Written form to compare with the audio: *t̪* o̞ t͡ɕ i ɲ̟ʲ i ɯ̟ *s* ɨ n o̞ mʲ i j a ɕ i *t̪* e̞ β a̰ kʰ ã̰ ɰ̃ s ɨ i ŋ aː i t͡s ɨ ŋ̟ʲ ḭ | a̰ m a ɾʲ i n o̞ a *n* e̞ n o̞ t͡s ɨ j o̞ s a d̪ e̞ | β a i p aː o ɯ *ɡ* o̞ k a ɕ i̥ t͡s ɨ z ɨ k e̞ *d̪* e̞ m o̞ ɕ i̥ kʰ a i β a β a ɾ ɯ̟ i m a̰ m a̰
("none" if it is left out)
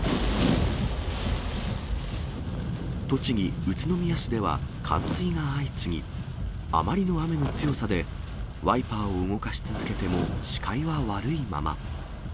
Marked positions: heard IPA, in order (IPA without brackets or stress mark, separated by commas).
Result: t̪, t͡s, d̪, m, ŋ, t̪